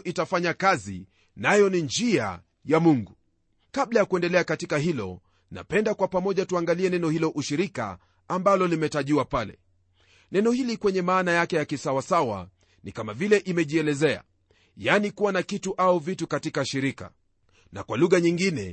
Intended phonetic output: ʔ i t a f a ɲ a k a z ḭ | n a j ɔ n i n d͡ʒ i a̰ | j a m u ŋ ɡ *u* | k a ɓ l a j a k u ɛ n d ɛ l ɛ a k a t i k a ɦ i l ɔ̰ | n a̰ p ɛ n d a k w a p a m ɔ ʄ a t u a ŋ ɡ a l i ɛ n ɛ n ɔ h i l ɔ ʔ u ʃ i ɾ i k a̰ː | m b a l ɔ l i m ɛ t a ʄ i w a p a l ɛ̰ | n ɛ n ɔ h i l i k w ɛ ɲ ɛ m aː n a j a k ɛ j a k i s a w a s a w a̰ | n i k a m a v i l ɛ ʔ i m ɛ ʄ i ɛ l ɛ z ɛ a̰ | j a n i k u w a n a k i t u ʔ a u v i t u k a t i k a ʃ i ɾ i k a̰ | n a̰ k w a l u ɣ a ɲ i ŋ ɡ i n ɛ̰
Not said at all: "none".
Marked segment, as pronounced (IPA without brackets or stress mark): u